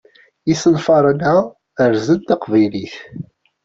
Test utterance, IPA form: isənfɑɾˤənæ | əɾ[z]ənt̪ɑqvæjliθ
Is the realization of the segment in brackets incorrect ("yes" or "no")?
no